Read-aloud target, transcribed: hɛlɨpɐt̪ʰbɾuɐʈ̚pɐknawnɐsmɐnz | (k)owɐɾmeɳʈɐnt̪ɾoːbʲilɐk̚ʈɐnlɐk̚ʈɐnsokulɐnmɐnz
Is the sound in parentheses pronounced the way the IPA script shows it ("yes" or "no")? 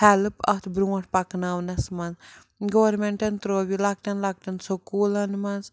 no